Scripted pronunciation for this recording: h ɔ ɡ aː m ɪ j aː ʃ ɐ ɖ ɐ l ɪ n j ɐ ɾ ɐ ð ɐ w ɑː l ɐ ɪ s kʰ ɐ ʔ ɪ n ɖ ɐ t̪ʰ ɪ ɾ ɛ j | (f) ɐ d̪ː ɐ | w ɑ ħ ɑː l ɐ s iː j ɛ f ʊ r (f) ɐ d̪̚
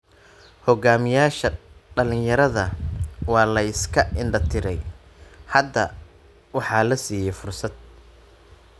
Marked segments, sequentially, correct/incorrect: incorrect, incorrect

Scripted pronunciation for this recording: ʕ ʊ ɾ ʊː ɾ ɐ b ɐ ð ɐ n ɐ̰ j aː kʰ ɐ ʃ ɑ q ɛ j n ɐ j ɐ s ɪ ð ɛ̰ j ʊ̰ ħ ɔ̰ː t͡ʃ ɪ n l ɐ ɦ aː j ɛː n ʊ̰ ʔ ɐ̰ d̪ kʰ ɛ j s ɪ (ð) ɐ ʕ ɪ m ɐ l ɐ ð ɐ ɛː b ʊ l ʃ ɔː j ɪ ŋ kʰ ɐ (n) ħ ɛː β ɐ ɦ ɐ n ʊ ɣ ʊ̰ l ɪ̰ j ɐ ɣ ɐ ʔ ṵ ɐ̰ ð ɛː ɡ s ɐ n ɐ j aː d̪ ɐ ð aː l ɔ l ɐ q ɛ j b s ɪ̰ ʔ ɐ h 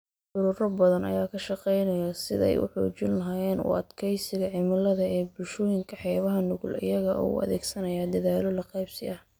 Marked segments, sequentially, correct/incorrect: incorrect, incorrect

